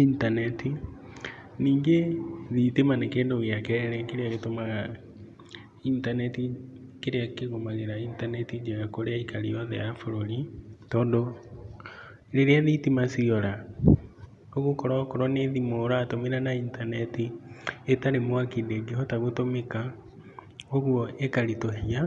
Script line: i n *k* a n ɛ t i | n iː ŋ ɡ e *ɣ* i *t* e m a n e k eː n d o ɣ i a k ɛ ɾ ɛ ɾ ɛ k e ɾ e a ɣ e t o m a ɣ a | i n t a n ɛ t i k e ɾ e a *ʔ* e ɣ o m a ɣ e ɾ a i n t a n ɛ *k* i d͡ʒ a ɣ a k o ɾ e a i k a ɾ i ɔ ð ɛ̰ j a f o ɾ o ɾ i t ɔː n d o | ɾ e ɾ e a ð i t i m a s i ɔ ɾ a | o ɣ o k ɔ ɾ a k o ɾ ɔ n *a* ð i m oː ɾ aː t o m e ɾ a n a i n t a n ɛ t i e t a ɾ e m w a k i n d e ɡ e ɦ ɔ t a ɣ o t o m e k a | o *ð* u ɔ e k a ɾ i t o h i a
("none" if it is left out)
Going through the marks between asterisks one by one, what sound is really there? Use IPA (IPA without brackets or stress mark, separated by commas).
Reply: t, ð, t, k, t, e, ɣ